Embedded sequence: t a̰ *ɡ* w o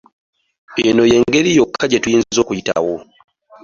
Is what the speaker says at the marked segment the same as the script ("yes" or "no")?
no